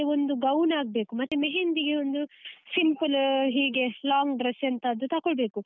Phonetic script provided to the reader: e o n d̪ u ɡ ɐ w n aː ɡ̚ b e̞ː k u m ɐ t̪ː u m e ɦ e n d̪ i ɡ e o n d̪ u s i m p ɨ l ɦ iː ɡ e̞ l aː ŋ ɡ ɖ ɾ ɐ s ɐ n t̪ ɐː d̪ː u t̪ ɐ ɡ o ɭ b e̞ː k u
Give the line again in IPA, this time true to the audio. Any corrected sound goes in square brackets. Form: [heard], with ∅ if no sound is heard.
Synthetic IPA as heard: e o n d̪ u ɡ ɐ w n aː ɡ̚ b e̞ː k u m ɐ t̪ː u m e ɦ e n d̪ i ɡ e o n d̪ u s i m p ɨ l ɦ iː ɡ e̞ l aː ŋ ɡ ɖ ɾ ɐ s ɐ n t̪ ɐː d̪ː u t̪ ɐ [k] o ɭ b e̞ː k u